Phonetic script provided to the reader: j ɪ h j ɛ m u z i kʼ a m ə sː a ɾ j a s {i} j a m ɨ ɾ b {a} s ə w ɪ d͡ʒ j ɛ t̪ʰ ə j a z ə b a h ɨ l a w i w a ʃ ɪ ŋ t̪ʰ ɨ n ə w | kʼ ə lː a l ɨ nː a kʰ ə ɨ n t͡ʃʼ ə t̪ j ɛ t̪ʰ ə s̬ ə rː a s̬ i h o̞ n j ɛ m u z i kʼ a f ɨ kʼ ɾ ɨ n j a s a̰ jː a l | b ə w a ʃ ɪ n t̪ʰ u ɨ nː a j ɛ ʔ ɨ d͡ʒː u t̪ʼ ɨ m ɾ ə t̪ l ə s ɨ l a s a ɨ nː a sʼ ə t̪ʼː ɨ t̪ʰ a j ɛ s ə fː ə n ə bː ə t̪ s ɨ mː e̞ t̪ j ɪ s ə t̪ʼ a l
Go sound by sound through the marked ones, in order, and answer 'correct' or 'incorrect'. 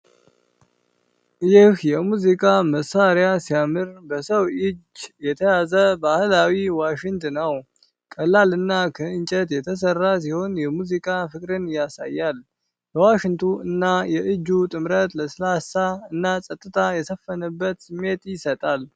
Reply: correct, incorrect: ə

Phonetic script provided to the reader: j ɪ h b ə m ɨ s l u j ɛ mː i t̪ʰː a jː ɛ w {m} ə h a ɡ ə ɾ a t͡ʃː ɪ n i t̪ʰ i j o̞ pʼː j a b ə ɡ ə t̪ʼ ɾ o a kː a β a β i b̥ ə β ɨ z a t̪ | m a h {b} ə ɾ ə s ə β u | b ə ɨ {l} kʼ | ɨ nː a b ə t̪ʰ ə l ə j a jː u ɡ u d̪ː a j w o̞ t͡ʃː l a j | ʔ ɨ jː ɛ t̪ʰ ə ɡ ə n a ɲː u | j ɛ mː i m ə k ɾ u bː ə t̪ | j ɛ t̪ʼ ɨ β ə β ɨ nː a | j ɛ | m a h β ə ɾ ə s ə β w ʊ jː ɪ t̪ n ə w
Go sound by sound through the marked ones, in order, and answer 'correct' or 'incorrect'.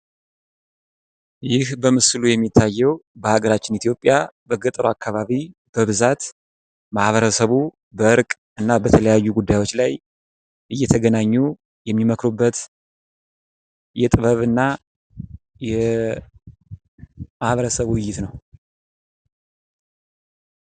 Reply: incorrect: b, incorrect: β, incorrect: ɾ

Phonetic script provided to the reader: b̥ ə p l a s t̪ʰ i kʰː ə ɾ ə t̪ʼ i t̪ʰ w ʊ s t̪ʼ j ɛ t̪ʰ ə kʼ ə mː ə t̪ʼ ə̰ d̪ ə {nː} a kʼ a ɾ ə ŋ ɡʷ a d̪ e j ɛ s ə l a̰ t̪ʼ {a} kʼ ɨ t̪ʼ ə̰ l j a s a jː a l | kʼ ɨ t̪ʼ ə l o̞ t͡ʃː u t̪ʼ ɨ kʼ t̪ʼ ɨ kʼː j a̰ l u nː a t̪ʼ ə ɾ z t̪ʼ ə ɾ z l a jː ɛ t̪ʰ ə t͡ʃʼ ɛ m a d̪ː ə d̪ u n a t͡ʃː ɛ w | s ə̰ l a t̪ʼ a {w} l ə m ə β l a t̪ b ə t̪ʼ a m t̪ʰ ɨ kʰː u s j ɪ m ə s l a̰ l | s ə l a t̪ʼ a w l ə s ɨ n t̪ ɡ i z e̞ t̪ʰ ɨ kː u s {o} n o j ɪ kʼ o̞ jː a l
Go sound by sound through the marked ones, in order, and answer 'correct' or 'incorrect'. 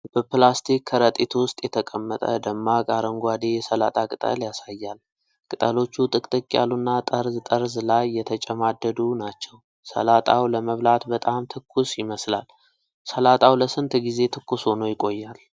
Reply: incorrect: mː, correct, correct, correct

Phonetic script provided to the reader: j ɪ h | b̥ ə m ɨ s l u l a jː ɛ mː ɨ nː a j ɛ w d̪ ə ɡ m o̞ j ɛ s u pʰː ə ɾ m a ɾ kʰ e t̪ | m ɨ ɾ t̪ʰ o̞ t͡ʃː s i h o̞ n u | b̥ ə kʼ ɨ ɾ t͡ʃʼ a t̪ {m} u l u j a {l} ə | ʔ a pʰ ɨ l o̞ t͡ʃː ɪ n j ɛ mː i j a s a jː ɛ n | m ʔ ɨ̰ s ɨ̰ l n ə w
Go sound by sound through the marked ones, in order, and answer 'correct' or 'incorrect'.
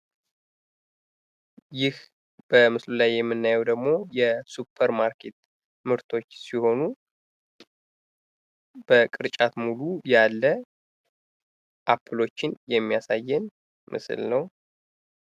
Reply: correct, incorrect: lː

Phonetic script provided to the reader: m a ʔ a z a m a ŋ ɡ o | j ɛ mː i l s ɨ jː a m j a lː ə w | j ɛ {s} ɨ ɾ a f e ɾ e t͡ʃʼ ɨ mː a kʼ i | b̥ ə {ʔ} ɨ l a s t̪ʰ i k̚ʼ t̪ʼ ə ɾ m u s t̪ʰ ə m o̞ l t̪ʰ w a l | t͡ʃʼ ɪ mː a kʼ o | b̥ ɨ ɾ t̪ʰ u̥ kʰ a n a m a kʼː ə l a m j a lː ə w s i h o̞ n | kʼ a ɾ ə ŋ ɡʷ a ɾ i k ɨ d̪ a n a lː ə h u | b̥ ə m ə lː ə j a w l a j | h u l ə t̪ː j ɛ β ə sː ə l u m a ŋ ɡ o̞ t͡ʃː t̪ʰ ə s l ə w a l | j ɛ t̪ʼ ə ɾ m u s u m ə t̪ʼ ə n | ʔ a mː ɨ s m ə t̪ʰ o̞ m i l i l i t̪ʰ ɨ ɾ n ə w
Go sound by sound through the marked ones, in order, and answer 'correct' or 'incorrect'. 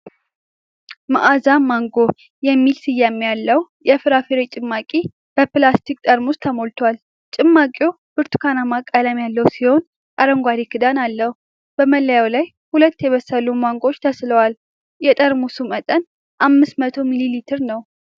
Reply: incorrect: f, incorrect: p

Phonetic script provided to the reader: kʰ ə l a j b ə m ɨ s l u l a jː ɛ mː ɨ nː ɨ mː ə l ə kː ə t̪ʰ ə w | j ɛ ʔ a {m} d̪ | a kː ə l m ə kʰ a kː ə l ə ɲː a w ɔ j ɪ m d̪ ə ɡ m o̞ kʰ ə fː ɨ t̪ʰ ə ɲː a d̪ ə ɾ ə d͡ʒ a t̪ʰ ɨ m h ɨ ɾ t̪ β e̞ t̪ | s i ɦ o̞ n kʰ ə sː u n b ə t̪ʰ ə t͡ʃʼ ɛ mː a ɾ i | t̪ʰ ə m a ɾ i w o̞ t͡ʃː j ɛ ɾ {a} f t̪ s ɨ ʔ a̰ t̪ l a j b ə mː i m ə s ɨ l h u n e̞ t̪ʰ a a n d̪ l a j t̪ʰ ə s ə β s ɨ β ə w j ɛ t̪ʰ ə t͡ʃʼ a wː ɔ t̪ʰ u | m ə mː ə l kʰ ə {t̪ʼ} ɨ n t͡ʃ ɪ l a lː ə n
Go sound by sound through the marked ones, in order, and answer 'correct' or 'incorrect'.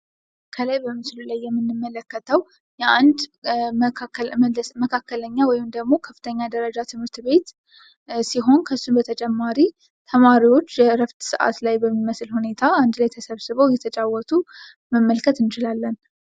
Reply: incorrect: n, incorrect: ə, incorrect: t̪

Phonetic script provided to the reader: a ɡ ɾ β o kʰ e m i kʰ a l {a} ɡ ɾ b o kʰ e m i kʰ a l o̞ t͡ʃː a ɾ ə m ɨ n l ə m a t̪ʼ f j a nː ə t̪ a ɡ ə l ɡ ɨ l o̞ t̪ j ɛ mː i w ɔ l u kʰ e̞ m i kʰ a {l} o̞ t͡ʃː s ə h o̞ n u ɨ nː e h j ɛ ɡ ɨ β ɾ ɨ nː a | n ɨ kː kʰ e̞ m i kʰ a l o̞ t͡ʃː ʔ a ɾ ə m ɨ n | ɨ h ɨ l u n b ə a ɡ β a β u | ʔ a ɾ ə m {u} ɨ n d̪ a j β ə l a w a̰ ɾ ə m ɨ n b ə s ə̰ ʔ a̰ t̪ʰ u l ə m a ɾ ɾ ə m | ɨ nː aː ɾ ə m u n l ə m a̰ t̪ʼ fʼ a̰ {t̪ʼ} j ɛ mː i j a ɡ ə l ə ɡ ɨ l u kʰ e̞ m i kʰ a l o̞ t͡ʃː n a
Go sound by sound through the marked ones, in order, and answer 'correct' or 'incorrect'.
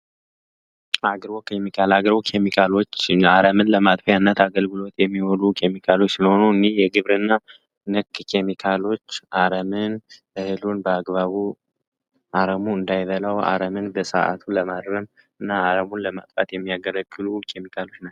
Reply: correct, correct, correct, incorrect: t̪

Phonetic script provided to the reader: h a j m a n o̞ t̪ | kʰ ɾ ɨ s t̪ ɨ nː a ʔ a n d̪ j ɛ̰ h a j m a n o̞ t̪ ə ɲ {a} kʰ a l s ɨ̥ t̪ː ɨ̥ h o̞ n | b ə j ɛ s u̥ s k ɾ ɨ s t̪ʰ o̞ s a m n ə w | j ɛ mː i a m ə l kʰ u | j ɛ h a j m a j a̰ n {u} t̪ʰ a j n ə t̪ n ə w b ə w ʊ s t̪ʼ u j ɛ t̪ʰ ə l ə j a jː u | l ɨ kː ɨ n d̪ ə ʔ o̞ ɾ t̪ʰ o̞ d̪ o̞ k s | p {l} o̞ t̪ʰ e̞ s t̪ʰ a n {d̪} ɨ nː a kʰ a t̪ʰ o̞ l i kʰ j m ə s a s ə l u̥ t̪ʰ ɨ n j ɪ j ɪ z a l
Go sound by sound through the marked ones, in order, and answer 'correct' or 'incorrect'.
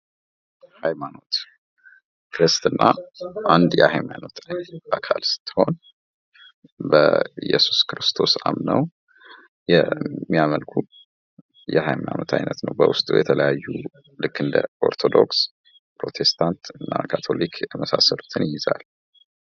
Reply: correct, incorrect: o, incorrect: ɾ, incorrect: t̪

